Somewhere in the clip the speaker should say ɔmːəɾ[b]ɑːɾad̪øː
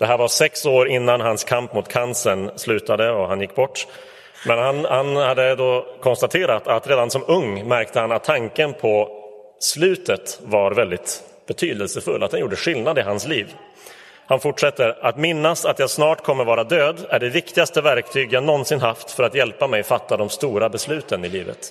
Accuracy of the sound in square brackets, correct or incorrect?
incorrect